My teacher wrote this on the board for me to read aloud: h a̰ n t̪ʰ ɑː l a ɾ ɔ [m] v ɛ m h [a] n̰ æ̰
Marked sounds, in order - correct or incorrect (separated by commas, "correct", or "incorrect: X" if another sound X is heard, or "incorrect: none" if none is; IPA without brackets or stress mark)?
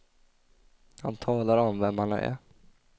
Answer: correct, correct